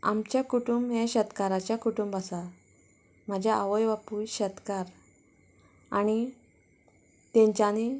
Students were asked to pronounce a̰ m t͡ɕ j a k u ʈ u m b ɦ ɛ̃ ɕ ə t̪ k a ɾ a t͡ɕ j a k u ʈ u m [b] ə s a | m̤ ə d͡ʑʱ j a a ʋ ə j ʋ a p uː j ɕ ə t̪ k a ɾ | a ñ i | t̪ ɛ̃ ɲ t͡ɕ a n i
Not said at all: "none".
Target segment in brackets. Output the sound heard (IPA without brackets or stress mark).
b